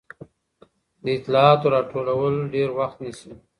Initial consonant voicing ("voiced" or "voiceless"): voiced